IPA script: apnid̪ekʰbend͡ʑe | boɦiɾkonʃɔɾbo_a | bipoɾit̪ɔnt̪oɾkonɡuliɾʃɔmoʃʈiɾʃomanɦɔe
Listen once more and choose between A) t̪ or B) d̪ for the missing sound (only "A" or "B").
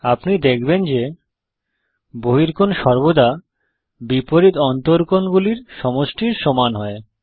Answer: B